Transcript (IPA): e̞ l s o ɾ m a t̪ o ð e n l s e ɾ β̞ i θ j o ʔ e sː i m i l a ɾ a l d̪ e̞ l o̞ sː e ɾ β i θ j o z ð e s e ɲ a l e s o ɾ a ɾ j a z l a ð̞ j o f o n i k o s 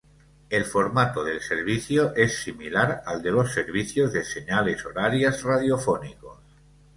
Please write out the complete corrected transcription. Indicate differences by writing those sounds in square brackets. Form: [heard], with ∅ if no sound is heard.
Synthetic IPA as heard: e̞ l [f] o ɾ m a t̪ o ð e [∅] l s e ɾ β̞ i θ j o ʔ e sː i m i l a ɾ a l d̪ e̞ l o̞ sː e ɾ β i θ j o z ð e s e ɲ a l e s o ɾ a ɾ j a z [r] a ð̞ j o f o n i k o s